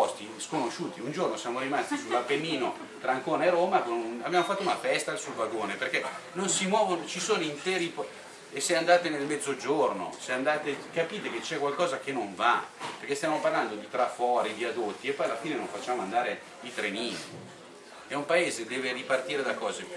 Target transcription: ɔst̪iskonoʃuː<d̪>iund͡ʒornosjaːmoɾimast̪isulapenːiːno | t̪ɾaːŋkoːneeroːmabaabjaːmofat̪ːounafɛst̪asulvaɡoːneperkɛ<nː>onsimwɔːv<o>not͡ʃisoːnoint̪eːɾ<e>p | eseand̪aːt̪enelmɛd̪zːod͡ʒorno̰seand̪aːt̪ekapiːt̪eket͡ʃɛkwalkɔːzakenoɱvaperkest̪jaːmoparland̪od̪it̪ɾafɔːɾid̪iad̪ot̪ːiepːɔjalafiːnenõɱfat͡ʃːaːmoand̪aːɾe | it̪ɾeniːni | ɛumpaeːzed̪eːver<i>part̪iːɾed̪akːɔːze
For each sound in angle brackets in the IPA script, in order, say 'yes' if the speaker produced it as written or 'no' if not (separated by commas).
no, no, yes, no, yes